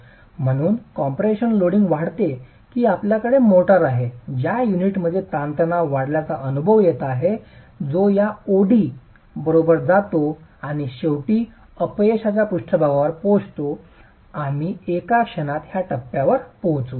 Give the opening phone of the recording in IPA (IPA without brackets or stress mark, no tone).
m̤